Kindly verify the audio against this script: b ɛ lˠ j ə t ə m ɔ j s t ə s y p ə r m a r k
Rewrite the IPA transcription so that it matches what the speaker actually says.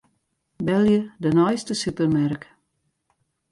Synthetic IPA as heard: b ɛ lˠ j ə d ə n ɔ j s t ə s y p ə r m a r k